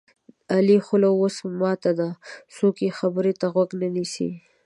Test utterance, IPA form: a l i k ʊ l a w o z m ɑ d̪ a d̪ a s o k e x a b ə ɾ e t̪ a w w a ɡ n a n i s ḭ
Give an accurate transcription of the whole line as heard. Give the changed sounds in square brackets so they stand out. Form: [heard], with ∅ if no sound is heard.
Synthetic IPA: a l i [x] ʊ l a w o [s] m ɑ [t̪] a d̪ a s o k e x a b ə ɾ e t̪ a [ɣ] w a ɡ n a n i s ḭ